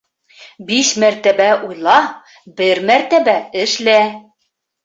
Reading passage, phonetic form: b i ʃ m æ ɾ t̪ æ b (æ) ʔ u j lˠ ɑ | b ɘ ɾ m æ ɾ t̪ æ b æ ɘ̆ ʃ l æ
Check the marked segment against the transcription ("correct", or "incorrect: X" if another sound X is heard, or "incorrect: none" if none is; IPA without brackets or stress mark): correct